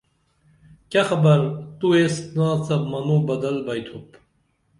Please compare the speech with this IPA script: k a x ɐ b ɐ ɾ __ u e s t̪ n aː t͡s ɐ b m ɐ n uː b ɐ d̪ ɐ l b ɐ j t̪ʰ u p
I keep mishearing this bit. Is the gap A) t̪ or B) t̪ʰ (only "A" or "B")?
A